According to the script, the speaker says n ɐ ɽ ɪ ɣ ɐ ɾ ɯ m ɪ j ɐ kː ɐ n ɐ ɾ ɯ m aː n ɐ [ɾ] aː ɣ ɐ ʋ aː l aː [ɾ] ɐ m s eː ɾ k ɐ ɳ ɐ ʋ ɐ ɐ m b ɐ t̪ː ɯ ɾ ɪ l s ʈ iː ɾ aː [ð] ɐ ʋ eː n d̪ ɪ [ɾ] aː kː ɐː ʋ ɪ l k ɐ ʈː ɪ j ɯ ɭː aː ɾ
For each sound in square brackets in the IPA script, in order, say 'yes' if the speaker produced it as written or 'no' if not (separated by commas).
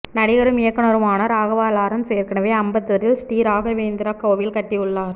yes, yes, no, yes